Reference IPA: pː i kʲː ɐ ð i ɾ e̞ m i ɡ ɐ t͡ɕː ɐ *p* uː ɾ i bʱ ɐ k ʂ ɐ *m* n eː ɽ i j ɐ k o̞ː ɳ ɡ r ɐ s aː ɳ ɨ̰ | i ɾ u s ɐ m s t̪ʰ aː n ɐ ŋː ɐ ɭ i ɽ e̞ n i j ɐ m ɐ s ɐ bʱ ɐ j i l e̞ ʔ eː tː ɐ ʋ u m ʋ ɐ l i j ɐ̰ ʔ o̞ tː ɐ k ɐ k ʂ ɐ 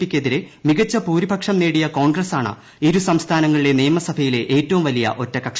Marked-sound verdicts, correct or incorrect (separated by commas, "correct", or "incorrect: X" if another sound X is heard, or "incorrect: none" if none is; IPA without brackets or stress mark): correct, correct